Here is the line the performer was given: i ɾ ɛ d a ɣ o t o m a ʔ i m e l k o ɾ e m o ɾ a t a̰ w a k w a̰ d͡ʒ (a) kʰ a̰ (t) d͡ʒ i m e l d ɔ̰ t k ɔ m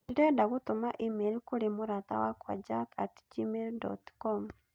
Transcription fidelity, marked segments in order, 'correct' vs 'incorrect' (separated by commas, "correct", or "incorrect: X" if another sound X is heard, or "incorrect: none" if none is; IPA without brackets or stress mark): correct, correct